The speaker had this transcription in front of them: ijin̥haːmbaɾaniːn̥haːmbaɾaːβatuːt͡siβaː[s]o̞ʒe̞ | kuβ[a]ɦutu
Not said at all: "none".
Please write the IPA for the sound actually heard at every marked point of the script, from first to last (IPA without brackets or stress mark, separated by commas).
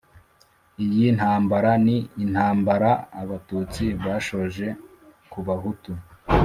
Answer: ʃ, a